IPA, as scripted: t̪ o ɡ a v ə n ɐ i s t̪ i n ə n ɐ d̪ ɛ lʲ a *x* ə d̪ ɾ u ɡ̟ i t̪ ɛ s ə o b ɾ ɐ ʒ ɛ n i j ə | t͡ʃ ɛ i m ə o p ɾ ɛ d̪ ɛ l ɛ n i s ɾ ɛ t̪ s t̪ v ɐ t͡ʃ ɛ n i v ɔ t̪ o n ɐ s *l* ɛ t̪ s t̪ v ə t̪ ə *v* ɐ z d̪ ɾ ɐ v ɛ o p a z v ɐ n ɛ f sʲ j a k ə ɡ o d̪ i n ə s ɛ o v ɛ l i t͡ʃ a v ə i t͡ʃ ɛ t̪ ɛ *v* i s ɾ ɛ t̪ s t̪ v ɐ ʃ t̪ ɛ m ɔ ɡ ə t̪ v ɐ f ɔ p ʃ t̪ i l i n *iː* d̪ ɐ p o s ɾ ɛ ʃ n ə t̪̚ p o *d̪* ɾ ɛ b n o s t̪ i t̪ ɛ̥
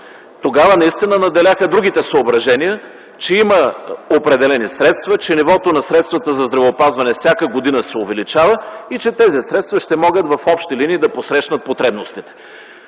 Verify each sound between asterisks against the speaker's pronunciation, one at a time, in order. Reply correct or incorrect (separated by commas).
correct, incorrect, incorrect, incorrect, correct, incorrect